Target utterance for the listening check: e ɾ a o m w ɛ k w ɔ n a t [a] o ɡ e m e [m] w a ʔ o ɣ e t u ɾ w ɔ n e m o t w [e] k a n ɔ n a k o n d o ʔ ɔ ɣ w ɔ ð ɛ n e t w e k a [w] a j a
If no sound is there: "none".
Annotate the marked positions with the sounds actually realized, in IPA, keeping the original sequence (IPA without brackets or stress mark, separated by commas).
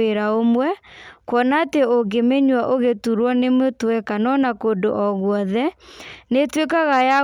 e, ɲ, ɛ, ɣ